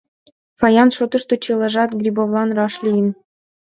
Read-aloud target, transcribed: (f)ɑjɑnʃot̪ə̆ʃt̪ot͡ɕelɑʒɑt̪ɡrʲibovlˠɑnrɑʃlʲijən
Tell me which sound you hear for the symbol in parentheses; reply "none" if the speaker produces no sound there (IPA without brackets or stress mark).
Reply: f